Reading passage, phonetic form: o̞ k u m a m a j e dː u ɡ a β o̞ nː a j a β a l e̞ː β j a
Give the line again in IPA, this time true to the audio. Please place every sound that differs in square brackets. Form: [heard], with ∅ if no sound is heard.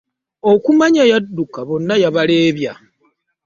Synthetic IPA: o̞ k u m a [ɲ] a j [a] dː u [k] a β o̞ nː a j a β a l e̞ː β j a